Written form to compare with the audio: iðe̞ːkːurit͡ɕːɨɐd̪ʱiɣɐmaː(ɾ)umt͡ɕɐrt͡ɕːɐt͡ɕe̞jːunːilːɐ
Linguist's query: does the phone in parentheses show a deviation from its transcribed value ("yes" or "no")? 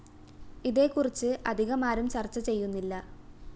no